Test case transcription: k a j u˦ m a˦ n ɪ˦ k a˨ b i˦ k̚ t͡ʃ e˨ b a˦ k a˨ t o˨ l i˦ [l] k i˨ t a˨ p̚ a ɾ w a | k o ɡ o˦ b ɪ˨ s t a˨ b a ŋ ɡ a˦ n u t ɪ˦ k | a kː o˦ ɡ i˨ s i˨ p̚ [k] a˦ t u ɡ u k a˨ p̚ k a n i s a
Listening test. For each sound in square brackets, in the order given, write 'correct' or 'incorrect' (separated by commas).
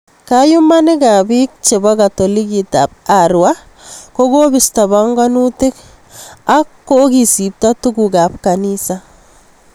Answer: incorrect, incorrect